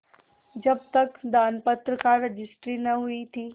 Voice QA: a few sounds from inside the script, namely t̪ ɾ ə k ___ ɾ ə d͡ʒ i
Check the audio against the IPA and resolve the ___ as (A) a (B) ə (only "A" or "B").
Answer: A